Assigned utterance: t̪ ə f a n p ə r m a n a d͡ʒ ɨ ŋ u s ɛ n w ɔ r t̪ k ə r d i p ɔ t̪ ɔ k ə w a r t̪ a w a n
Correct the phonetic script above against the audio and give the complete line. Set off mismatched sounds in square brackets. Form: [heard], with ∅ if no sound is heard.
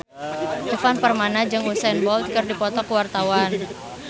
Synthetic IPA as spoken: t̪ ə f a n p ə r m a n a d͡ʒ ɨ ŋ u s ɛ n [b] ɔ [l] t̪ k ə r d i p ɔ t̪ ɔ k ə w a r t̪ a w a n